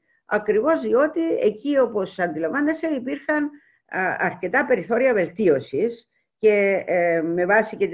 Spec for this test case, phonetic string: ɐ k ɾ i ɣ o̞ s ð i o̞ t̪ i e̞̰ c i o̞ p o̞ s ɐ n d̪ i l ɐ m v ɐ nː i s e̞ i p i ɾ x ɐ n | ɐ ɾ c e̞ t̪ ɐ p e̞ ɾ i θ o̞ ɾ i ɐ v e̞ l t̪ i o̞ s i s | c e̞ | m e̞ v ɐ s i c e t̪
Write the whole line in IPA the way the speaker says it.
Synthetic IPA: ɐ k ɾ i v o̞ z ð i o̞ t̪ i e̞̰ c i o̞ p o̞ s ɐ n d̪ i l ɐ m v ɐ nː e s e̞ i p i ɾ x ɐ n | ɐ ɾ c e̞ t̪ ɐ p e̞ ɾ i θ o̞ ɾ i ɐ v e̞ l t̪ i o̞ s i s | c e̞ | m e̞ v ɐ s i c e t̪